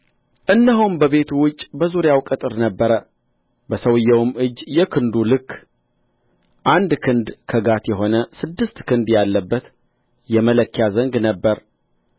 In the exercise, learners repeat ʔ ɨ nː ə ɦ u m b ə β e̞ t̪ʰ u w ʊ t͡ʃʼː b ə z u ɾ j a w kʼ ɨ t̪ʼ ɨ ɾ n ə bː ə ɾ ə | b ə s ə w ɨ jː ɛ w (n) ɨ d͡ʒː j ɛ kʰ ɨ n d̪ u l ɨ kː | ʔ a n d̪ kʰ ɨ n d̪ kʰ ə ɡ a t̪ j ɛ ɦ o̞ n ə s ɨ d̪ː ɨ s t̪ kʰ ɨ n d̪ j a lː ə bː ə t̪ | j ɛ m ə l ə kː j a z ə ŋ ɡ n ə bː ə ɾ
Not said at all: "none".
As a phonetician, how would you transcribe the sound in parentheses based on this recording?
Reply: m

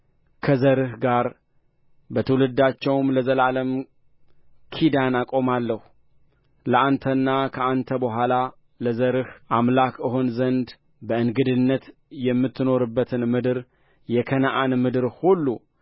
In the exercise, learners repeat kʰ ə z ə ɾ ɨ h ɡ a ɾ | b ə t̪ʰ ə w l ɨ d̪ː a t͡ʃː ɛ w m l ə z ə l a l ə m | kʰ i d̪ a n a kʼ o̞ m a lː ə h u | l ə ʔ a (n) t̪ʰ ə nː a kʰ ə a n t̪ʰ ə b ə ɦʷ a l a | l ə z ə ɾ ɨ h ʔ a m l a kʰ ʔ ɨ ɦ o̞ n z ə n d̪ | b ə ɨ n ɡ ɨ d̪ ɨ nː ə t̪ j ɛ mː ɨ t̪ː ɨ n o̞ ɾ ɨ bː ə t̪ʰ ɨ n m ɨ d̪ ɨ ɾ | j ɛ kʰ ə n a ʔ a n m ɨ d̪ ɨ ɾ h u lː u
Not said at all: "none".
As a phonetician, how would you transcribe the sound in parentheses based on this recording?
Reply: n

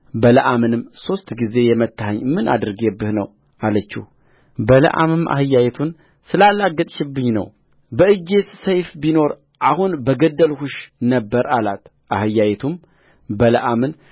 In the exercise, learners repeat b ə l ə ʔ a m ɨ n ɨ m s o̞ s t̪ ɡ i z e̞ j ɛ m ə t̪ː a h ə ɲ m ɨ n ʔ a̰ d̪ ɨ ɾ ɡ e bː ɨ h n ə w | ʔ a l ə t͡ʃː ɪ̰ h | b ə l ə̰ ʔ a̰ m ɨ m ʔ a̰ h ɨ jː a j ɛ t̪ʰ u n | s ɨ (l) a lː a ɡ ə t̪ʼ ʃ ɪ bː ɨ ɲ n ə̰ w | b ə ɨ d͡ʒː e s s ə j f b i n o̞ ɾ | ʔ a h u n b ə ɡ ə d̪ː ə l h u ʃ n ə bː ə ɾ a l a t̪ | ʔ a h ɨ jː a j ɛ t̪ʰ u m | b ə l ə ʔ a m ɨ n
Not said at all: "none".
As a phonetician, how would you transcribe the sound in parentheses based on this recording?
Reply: l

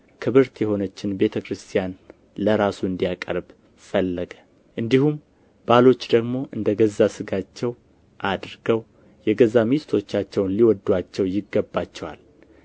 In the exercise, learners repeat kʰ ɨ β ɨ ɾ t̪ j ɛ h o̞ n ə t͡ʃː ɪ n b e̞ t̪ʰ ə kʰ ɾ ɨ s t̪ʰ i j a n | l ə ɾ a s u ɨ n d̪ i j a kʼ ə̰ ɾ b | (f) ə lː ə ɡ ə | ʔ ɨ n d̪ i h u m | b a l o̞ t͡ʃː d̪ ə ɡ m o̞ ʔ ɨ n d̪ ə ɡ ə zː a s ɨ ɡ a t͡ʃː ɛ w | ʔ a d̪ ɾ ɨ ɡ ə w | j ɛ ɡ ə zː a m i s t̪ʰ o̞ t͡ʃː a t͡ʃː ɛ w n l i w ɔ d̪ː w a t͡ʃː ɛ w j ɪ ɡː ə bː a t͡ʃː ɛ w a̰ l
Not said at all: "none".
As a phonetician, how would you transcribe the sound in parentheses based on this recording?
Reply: f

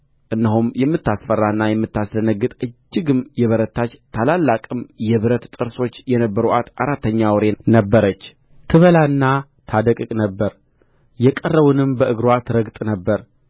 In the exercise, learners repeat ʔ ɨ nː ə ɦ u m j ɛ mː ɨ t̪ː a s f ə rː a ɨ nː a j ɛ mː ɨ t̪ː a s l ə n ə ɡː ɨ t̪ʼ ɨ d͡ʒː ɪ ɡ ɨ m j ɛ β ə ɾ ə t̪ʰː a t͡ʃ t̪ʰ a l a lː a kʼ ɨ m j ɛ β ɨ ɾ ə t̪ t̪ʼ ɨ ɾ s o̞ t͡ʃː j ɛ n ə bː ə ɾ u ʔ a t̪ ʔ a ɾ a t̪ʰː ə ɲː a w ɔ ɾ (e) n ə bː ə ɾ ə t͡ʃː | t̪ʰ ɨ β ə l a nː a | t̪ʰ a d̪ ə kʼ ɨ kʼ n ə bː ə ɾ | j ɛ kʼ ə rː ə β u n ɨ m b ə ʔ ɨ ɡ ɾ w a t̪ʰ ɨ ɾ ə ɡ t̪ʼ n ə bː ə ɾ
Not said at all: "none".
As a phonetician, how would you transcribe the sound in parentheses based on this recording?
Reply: e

